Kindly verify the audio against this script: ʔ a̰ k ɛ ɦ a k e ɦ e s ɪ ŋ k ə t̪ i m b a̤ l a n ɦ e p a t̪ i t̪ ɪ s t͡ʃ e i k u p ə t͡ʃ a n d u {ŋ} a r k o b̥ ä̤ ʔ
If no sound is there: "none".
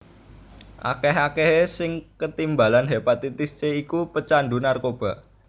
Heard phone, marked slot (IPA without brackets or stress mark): n